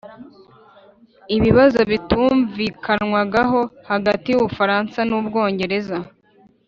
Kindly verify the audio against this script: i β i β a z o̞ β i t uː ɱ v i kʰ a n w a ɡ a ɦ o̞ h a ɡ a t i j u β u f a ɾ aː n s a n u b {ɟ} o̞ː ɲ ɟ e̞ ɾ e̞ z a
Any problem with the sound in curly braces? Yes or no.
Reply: yes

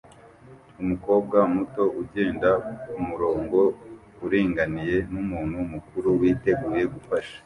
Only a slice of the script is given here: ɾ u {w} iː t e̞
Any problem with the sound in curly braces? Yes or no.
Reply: no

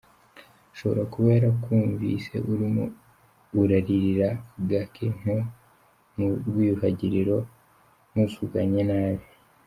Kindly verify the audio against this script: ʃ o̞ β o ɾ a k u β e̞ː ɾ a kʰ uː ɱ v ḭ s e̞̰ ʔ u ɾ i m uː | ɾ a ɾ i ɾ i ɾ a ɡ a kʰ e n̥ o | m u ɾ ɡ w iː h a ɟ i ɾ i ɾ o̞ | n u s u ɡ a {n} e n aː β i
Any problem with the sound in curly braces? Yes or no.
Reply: yes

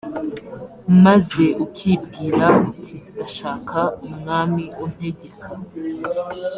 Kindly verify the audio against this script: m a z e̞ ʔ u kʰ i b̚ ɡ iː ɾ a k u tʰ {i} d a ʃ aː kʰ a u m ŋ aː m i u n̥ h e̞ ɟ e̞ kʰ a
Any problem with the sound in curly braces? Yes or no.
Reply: no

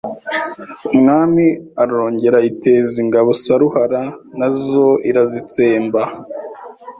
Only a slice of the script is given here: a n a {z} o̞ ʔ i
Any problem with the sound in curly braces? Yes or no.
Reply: no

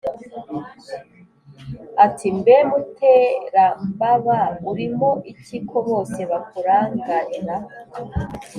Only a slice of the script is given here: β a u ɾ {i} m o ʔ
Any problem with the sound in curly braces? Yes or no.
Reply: no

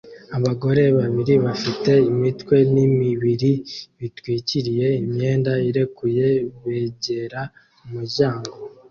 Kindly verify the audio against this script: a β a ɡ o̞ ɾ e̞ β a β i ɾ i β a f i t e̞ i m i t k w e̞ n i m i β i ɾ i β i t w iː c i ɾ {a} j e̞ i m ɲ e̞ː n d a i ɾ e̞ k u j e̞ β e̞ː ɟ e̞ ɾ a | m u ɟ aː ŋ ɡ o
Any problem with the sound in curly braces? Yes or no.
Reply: yes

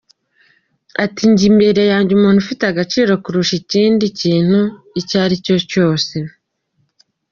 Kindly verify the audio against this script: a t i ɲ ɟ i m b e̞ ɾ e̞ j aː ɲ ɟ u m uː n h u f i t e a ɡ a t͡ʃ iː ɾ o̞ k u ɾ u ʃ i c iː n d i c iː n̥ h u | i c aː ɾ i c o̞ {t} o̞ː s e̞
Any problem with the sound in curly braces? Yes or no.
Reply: yes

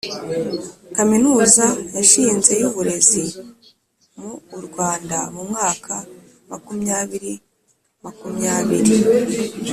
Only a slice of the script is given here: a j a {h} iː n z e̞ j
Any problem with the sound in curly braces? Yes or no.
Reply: yes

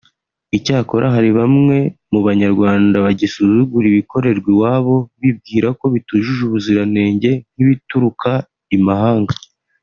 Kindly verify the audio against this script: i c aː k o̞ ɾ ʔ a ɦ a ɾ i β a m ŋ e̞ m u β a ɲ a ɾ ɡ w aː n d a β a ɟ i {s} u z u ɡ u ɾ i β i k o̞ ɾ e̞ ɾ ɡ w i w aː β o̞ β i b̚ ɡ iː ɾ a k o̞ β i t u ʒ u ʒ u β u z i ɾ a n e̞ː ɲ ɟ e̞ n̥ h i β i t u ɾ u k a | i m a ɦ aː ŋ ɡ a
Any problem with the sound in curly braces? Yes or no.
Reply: no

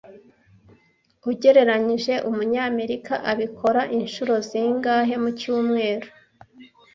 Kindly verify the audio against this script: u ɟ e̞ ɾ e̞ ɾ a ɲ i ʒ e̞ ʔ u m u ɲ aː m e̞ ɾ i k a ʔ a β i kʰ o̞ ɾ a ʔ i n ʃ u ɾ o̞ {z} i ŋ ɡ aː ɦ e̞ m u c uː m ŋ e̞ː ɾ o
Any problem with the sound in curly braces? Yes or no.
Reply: no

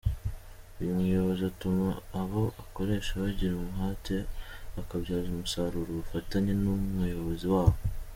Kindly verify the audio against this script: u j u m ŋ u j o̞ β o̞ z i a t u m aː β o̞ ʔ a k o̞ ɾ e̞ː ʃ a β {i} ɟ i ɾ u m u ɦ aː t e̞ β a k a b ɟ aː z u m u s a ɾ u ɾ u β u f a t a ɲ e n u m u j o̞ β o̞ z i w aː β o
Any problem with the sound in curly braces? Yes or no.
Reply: yes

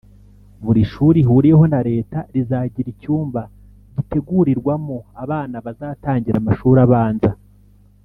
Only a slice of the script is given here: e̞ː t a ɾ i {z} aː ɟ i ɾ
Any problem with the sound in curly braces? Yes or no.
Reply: no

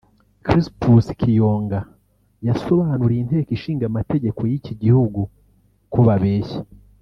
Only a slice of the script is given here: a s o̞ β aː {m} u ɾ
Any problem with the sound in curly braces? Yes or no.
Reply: yes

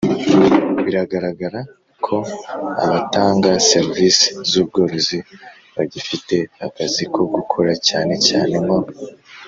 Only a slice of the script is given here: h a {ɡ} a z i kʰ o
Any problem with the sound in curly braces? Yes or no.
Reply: yes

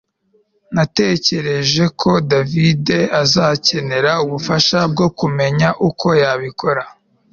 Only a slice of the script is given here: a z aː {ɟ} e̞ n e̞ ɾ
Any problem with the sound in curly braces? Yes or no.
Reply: yes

